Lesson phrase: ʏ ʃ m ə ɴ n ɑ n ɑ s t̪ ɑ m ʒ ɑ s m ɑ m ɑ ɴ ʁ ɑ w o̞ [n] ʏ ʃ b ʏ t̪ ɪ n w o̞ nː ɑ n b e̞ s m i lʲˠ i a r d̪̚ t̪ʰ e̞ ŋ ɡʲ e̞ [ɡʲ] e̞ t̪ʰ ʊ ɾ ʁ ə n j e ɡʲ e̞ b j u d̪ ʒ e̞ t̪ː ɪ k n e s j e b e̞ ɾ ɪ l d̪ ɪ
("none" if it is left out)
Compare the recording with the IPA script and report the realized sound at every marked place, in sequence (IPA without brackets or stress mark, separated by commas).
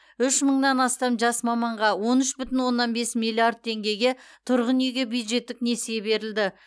n, ɡʲ